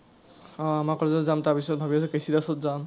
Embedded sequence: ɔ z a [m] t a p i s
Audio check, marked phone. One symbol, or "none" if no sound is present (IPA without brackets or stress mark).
m